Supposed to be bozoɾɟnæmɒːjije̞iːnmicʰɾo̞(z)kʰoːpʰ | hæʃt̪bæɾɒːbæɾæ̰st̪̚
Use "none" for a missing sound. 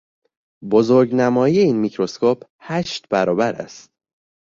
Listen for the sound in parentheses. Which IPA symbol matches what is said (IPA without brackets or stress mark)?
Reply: s